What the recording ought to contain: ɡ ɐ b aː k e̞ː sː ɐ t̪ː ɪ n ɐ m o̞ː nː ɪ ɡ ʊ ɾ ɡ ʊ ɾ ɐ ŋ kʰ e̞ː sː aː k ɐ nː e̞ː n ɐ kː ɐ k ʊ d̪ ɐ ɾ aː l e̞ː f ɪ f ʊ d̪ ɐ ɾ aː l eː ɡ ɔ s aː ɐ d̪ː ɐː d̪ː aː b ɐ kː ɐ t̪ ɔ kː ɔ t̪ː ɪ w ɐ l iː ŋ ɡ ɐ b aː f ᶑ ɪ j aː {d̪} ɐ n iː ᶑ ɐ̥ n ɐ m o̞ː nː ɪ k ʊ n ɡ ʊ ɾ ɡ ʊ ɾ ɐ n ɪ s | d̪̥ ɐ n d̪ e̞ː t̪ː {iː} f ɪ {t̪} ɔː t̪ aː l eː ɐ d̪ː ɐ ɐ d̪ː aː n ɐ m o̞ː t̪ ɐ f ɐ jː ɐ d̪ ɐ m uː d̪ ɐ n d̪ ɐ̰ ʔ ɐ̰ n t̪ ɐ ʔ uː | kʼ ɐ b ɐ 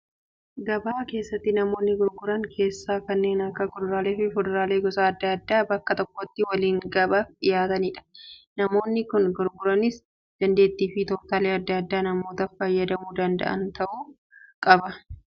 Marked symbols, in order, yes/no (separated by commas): no, yes, yes